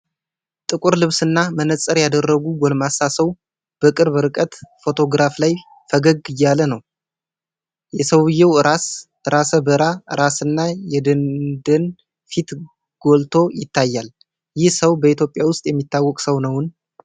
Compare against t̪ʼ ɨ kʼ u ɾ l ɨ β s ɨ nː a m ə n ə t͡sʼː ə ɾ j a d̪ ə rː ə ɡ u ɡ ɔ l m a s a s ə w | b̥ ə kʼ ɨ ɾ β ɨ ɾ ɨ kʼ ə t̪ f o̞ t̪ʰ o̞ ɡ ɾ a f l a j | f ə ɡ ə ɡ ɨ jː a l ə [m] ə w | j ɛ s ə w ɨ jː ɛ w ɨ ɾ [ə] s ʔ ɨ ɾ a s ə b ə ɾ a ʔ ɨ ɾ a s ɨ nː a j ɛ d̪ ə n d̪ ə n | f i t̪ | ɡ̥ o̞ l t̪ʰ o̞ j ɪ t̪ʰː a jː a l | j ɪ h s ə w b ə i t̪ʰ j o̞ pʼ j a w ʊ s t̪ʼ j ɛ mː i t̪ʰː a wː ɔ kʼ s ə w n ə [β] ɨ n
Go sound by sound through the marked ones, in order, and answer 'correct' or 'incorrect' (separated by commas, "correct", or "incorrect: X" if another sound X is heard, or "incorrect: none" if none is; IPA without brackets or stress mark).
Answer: incorrect: n, incorrect: a, incorrect: w